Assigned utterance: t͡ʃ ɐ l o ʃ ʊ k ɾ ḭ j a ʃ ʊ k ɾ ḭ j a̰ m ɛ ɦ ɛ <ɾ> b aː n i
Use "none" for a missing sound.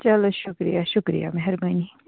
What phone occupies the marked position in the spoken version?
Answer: ɾ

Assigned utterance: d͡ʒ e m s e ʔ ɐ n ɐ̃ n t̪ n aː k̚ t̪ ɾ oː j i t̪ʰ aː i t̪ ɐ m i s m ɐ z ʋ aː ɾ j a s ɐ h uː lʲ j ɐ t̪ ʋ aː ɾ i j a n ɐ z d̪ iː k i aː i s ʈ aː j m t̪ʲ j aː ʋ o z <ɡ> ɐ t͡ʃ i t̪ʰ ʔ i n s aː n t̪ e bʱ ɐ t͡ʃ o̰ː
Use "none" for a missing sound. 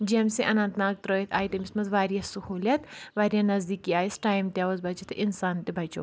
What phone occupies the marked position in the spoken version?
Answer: b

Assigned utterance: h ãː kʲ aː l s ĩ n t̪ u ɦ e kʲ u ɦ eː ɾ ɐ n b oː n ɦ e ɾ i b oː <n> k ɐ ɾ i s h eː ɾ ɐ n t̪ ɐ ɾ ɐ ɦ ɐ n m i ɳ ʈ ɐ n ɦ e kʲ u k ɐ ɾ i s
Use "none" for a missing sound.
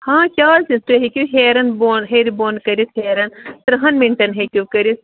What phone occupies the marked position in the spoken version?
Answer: n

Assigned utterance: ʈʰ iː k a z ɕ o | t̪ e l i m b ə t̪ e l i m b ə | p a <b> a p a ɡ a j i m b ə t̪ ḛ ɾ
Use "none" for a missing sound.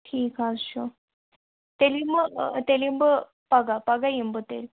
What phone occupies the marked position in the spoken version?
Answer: ɡ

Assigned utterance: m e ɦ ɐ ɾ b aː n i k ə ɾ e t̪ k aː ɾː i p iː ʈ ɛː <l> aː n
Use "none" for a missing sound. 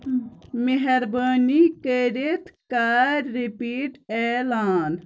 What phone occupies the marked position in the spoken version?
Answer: l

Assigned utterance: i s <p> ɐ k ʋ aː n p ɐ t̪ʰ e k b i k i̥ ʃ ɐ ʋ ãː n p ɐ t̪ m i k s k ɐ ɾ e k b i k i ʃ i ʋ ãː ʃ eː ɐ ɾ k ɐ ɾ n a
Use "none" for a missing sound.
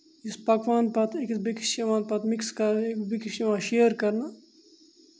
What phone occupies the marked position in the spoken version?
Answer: p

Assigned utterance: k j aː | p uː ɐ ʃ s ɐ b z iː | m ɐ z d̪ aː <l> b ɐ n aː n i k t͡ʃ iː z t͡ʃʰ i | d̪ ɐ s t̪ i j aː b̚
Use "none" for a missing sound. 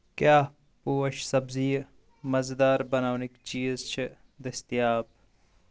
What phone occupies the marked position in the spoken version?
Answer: ɾ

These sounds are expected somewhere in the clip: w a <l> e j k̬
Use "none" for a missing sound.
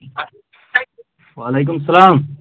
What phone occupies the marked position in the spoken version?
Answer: l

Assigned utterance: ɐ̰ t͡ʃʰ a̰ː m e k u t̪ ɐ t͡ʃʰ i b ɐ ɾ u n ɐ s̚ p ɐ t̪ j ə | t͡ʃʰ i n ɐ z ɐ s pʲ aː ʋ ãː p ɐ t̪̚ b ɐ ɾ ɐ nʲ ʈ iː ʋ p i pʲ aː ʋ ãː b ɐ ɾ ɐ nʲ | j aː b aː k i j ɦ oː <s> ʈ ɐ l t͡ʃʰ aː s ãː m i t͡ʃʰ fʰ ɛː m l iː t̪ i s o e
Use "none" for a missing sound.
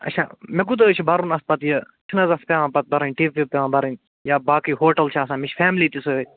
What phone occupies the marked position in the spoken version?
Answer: none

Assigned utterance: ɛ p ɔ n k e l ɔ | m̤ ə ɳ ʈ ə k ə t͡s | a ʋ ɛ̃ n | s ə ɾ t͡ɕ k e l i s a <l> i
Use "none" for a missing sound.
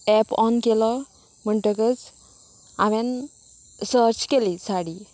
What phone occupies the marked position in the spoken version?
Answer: ɽ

